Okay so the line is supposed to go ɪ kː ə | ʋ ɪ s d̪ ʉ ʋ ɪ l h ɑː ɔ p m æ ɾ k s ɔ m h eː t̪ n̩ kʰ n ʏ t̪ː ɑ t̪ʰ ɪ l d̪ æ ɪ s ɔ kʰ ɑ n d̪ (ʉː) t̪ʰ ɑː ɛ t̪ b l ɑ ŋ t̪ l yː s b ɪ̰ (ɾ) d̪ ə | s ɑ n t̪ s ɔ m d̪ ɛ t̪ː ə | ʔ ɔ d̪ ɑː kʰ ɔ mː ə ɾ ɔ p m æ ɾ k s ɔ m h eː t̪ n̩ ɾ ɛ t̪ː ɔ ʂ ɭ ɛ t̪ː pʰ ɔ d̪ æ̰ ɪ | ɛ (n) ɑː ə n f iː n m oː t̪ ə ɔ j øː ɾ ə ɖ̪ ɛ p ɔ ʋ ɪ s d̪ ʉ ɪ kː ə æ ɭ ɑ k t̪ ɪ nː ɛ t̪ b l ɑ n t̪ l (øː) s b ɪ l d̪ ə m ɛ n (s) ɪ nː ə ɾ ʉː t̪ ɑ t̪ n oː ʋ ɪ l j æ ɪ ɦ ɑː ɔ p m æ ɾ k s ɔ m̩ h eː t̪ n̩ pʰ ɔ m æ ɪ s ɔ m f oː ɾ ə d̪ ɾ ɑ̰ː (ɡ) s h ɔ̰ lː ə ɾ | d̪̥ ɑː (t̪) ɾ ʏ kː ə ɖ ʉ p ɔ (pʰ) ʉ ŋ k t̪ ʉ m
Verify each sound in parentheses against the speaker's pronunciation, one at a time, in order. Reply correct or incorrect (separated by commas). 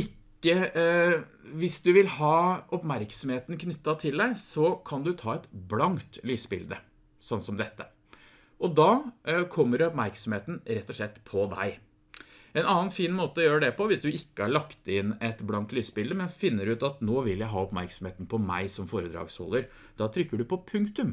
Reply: incorrect, incorrect, correct, incorrect, incorrect, correct, incorrect, correct